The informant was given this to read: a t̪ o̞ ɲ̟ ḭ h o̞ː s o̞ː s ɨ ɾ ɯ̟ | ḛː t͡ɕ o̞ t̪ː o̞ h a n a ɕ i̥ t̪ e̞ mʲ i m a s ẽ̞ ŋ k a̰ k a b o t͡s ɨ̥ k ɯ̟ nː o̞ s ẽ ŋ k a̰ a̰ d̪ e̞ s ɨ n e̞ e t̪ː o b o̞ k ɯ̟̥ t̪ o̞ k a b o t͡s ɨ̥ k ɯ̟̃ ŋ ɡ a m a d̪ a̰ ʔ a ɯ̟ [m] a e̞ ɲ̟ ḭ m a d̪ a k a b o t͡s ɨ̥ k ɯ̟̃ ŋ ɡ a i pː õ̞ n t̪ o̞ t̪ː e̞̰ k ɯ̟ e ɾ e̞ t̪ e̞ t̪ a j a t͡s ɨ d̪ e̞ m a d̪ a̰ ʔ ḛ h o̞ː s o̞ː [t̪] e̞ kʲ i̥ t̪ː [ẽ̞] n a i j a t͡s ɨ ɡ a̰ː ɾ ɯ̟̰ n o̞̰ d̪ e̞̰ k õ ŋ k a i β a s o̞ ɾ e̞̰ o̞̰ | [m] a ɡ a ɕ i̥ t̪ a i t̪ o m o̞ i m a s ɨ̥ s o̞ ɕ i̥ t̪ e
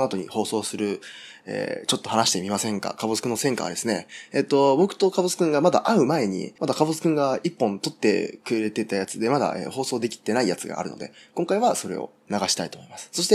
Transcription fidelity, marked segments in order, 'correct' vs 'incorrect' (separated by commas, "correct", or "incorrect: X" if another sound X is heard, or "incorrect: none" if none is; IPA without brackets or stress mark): correct, incorrect: d̪, incorrect: e̞, incorrect: n